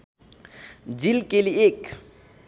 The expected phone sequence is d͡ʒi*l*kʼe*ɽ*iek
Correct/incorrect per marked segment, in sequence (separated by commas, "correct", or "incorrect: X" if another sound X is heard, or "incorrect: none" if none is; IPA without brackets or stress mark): correct, incorrect: l